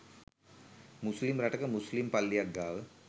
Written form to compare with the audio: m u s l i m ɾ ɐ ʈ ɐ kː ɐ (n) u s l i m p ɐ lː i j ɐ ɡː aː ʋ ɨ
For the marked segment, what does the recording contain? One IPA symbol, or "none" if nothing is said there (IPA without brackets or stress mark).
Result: m